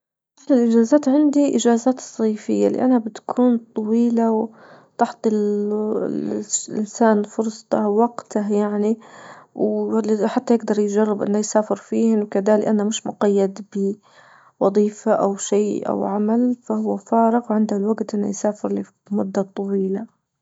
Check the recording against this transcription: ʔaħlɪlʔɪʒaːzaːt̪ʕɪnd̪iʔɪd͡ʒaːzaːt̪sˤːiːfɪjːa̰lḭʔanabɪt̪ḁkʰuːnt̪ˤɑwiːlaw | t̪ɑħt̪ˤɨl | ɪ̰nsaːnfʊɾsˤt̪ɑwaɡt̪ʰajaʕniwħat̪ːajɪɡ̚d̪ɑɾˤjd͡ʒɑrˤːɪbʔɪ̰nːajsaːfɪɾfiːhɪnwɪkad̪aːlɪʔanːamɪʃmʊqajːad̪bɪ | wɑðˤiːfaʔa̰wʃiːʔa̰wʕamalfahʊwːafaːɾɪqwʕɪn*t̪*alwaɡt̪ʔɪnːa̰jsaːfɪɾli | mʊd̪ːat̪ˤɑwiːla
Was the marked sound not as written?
yes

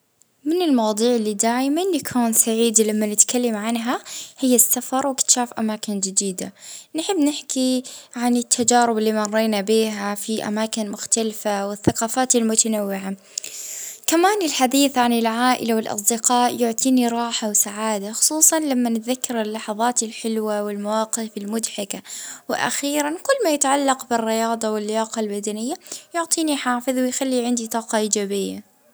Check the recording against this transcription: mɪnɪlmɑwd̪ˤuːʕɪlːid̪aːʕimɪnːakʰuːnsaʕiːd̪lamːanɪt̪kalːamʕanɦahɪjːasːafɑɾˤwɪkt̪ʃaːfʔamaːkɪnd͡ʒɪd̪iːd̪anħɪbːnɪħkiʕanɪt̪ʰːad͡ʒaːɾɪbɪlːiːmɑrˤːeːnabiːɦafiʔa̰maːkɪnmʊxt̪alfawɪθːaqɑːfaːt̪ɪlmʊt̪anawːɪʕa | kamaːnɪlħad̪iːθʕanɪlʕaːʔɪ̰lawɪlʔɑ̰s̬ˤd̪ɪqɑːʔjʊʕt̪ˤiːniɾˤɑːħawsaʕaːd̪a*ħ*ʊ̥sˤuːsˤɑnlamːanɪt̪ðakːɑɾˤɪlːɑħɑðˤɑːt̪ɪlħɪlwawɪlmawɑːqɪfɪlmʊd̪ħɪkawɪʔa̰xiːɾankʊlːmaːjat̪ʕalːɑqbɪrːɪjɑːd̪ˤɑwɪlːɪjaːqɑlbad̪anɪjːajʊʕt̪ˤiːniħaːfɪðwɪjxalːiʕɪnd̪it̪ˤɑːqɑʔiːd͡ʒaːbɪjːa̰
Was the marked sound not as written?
yes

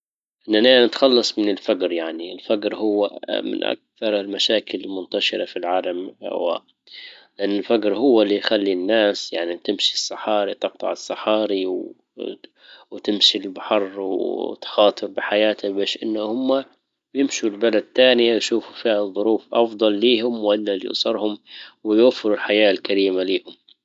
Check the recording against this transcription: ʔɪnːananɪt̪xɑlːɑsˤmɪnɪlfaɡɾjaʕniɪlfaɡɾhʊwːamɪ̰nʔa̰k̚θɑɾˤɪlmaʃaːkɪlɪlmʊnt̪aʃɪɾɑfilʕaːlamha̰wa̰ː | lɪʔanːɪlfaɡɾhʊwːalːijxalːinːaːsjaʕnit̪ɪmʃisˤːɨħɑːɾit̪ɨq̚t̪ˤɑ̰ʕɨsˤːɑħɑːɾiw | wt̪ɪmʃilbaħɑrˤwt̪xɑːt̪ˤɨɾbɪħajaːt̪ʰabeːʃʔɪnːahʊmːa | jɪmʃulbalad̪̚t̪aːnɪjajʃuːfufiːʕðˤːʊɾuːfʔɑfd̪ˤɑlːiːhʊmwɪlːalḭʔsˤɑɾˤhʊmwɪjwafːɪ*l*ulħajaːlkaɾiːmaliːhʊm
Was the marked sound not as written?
yes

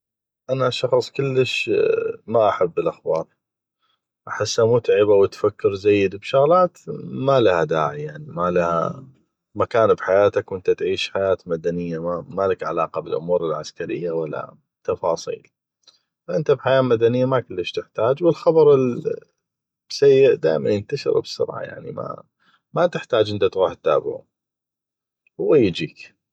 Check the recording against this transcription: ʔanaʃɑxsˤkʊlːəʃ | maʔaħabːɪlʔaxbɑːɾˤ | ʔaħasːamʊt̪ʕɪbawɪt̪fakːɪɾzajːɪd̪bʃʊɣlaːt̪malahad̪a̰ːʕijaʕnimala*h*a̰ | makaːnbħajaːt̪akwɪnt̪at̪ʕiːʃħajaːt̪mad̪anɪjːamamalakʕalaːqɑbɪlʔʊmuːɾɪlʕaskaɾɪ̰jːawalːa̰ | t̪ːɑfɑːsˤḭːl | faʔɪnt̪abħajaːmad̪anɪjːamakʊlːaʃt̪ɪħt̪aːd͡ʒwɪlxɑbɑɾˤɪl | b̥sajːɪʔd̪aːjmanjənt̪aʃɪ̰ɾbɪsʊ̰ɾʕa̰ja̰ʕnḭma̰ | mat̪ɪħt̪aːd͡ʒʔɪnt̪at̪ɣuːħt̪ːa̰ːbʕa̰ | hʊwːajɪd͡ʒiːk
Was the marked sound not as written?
no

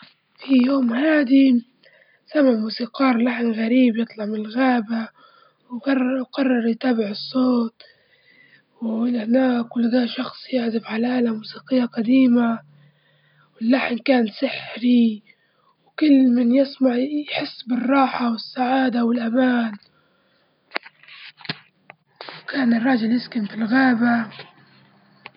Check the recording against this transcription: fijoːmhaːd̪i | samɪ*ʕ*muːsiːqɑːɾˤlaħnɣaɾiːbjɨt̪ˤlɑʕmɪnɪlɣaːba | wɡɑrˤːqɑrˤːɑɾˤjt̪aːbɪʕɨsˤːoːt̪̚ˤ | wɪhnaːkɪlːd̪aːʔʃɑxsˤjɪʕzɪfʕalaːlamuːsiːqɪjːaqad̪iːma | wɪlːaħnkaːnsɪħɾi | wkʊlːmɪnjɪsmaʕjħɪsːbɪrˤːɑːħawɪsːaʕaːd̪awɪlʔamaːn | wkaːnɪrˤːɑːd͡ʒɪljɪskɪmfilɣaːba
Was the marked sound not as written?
no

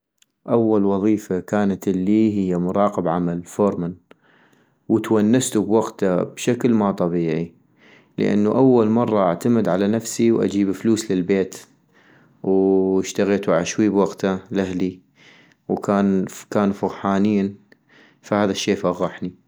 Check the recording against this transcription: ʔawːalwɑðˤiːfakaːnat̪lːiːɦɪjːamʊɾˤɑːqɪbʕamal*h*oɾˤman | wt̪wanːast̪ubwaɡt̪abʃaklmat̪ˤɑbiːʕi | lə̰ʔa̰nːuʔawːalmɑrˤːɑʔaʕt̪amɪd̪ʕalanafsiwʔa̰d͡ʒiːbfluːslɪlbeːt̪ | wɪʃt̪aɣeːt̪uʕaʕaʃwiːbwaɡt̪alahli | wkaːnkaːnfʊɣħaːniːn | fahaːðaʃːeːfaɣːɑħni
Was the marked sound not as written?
yes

